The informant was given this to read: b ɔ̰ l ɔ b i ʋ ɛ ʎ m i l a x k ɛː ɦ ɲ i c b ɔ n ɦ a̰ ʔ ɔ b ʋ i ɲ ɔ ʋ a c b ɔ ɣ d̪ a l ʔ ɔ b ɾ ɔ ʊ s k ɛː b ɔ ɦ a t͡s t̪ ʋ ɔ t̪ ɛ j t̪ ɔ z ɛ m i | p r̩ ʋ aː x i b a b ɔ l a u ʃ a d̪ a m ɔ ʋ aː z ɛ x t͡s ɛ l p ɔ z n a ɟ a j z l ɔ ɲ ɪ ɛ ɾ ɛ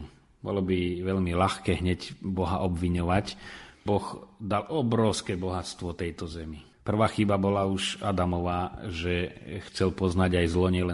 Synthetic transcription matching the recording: b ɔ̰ l ɔ b i ʋ ɛ ʎ m i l a x k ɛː ɦ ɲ ɛ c b ɔ ɦ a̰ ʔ ɔ b ʋ i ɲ ɔ ʋ a c b ɔ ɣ d̪ a l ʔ ɔ b ɾ ɔ ʊ s k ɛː b ɔ ɦ a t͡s t̪ ʋ ɔ t̪ ɛ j t̪ ɔ z ɛ m i | p r̩ ʋ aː x i b a b ɔ l a u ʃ a d̪ a m ɔ ʋ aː ʒ ɛ x t͡s ɛ l p ɔ z n a ɟ a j z l ɔ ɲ ɪ ɛ l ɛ